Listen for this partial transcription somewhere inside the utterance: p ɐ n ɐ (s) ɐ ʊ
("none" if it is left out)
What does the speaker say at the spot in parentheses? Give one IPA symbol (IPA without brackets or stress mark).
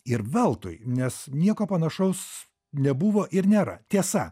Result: ʃ